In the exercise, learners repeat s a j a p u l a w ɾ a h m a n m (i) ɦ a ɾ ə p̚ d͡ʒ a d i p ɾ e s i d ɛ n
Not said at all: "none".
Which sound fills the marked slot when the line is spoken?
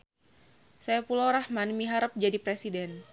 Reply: i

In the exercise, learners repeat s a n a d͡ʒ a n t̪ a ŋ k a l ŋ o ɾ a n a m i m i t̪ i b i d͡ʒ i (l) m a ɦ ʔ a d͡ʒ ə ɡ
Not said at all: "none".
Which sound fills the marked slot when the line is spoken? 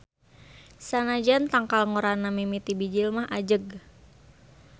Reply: l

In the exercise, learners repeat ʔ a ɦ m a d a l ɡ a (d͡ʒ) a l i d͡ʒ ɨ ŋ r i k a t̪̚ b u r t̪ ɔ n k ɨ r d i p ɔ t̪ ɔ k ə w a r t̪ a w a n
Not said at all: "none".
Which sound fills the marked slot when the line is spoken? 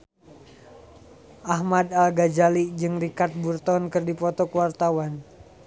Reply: d͡ʒ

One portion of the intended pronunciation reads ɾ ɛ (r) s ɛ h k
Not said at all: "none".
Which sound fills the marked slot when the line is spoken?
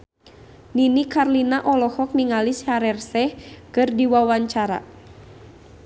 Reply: r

